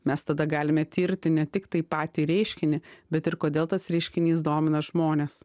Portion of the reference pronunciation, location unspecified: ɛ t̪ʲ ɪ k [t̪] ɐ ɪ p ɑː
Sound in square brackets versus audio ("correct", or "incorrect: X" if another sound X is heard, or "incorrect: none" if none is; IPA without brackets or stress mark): correct